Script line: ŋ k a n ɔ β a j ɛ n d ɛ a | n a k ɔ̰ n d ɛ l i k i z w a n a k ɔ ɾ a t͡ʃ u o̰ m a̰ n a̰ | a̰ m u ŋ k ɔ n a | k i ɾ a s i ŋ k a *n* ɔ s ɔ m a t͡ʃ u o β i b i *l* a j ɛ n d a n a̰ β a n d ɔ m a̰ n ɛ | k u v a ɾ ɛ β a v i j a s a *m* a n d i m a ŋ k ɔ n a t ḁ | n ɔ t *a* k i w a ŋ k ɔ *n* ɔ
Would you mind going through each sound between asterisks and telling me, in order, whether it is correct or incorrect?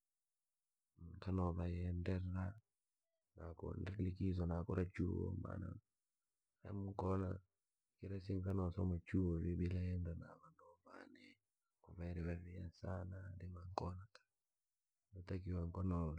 correct, correct, incorrect, correct, correct

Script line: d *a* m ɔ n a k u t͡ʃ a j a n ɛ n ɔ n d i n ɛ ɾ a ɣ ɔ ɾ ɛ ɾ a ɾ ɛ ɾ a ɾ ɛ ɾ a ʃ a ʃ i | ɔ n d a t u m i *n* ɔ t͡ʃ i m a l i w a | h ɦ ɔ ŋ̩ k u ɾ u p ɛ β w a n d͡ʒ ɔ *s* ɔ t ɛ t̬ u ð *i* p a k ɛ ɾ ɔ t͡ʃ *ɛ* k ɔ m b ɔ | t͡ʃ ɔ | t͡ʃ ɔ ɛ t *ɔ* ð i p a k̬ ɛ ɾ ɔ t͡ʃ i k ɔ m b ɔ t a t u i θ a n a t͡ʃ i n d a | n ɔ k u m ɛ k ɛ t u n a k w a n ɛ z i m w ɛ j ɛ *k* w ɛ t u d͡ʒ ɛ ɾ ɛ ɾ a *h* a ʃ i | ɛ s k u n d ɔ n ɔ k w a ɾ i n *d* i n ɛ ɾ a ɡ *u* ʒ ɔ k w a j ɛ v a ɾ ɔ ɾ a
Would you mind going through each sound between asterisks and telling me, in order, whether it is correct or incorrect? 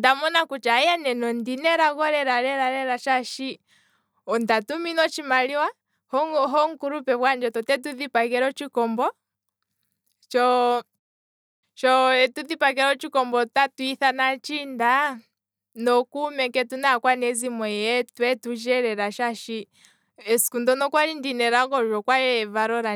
correct, correct, incorrect, correct, incorrect, incorrect, incorrect, incorrect, correct, incorrect

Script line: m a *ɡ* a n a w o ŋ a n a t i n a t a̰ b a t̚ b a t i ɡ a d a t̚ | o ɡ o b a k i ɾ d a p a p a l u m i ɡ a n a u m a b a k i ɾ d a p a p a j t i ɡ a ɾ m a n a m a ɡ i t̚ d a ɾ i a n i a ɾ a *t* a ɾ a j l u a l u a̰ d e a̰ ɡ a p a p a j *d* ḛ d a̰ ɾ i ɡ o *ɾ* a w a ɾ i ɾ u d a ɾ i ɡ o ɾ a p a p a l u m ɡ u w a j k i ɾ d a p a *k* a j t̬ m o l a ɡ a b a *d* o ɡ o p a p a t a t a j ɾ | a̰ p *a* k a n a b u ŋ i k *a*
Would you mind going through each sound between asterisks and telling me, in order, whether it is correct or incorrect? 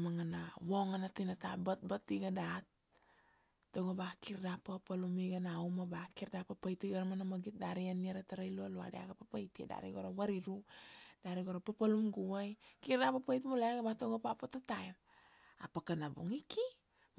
incorrect, correct, incorrect, correct, incorrect, incorrect, correct, incorrect

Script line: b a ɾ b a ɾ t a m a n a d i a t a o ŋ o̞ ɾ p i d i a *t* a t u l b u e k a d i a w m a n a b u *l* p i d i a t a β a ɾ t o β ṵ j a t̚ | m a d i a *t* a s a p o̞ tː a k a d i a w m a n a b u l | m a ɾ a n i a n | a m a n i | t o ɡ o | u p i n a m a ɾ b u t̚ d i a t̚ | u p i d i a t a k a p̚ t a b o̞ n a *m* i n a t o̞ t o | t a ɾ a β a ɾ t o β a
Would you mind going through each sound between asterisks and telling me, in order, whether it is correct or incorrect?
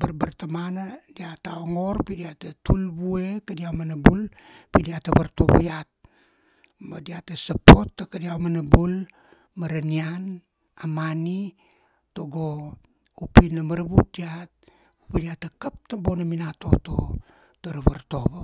correct, correct, correct, correct

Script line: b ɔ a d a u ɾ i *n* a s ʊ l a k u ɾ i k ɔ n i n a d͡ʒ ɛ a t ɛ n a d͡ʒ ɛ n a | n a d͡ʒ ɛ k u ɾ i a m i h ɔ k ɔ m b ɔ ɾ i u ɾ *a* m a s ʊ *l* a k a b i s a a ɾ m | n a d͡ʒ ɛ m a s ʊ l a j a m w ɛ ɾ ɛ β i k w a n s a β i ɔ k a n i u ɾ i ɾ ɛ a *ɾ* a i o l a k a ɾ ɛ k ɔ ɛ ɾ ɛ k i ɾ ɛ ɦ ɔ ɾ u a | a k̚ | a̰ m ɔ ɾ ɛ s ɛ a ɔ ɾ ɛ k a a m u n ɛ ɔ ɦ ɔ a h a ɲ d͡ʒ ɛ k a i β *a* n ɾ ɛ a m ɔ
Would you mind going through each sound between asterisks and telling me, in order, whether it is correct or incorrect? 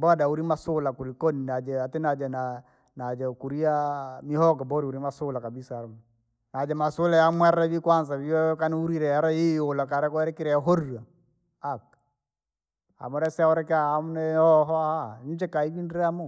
incorrect, incorrect, correct, correct, incorrect

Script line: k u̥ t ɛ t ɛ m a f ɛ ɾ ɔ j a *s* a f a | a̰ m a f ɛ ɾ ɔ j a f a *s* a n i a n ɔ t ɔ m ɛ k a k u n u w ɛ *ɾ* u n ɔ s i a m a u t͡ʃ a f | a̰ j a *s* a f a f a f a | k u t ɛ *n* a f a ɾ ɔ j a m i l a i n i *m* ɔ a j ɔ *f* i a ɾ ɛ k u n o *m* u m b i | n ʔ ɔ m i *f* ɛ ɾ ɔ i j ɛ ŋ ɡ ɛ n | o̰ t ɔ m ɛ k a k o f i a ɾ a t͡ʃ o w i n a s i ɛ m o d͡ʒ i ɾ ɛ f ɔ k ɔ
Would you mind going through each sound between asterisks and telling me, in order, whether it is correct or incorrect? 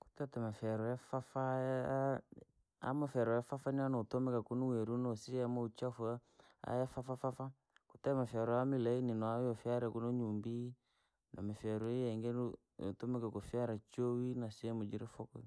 incorrect, incorrect, correct, incorrect, incorrect, incorrect, correct, incorrect, correct

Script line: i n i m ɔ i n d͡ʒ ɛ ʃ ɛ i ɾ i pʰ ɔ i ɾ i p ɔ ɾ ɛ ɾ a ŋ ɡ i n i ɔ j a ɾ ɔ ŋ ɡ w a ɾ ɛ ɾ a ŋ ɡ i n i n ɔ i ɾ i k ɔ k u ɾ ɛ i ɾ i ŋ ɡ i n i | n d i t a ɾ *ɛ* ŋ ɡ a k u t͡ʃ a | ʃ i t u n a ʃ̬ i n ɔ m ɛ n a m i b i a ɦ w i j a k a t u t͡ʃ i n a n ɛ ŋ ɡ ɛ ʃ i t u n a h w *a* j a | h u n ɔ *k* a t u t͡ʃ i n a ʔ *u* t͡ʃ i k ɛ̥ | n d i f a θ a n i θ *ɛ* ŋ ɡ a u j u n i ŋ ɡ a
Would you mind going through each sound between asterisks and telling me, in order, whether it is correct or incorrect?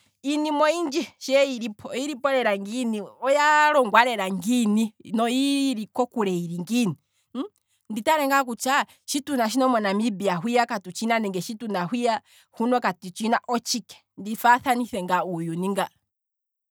correct, incorrect, correct, incorrect, correct

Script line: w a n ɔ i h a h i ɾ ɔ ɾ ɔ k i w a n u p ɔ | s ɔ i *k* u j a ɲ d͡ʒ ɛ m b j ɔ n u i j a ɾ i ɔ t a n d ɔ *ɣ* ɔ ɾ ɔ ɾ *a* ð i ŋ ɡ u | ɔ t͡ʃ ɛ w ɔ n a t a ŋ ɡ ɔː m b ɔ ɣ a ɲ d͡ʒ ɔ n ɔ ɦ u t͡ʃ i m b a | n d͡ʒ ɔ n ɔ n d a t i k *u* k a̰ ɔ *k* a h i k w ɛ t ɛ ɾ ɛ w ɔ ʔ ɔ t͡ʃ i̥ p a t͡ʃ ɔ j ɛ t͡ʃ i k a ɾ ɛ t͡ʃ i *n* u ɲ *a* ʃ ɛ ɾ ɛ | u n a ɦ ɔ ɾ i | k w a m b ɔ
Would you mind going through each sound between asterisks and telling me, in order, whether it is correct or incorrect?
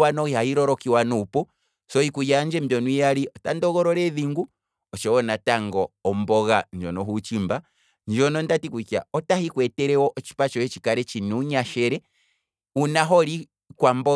correct, correct, incorrect, correct, incorrect, correct, correct

